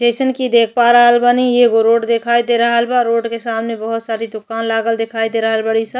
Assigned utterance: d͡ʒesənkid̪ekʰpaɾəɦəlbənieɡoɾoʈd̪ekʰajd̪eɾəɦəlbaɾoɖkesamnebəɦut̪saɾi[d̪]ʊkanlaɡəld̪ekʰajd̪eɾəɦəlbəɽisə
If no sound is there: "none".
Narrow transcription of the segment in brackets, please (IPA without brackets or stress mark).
d̪